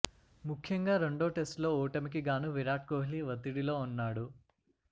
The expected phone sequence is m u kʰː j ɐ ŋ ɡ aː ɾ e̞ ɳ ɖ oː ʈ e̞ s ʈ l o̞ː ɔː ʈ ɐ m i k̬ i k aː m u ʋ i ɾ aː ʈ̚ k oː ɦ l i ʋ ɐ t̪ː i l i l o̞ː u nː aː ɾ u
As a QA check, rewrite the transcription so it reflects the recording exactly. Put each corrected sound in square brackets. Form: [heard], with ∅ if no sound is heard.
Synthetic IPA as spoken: m u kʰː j ɐ ŋ ɡ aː ɾ e̞ ɳ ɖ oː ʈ e̞ s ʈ l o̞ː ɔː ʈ ɐ m i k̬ i [ɡ] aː [n] u ʋ i ɾ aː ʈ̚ k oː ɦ l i ʋ ɐ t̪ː i [ɽ] i l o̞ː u nː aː [ɽ] u